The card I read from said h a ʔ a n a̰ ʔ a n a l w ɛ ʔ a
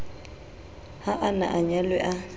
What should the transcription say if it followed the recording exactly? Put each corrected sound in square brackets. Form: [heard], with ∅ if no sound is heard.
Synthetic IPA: h a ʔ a n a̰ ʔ a [ɲ] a l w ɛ ʔ a